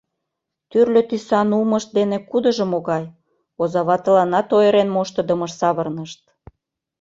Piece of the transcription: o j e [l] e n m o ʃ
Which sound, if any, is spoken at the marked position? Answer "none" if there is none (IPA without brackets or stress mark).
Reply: ɾ